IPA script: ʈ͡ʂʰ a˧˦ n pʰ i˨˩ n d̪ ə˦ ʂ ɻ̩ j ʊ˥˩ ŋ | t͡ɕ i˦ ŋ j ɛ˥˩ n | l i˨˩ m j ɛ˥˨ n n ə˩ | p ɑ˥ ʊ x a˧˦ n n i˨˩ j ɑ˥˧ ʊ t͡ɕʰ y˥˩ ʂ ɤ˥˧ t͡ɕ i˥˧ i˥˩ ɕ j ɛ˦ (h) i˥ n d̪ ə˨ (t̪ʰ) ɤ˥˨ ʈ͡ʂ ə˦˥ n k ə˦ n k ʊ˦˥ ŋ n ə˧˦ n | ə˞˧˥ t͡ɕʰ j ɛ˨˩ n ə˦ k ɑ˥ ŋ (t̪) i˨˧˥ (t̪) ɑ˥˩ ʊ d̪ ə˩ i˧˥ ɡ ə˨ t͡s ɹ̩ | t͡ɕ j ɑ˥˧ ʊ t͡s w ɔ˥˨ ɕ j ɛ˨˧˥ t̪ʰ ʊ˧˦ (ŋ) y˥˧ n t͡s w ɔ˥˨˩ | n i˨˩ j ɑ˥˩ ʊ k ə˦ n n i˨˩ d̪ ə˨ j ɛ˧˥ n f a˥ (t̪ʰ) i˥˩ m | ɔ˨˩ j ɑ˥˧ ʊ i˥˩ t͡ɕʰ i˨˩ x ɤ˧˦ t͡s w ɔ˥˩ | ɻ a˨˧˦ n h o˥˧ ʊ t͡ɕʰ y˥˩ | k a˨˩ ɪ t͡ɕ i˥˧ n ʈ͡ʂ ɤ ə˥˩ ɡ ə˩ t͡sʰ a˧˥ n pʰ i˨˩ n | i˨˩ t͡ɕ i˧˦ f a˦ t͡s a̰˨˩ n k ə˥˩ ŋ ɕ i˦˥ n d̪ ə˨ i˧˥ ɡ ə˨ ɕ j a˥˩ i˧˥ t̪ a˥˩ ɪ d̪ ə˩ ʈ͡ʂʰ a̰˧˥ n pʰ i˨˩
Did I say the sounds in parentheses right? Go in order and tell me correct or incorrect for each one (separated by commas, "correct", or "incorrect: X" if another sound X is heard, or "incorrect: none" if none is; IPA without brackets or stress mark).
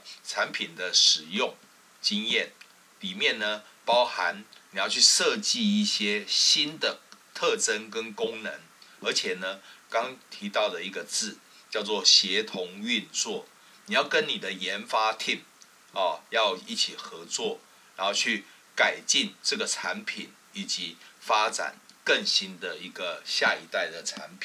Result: incorrect: ɕ, correct, incorrect: t̪ʰ, correct, correct, correct